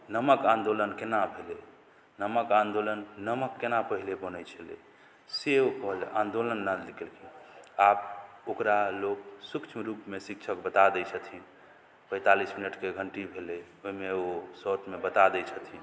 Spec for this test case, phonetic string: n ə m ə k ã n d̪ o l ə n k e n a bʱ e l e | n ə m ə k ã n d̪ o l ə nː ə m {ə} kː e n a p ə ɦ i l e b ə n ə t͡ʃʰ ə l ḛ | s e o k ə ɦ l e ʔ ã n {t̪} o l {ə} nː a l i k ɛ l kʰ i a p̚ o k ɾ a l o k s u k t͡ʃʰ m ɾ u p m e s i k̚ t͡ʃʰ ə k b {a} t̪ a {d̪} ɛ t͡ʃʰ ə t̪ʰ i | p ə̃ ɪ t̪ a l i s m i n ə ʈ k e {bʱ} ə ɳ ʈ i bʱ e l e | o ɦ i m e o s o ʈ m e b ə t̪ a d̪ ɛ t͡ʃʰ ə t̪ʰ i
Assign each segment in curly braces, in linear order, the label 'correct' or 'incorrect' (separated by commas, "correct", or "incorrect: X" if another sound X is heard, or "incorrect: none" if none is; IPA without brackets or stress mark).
correct, incorrect: d̪, correct, incorrect: ə, correct, incorrect: ɡʱ